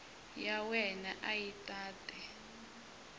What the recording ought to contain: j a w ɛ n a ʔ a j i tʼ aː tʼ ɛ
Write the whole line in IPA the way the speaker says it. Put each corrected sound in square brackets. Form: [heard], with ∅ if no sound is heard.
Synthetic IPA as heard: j a w ɛ n a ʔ a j i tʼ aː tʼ ɛ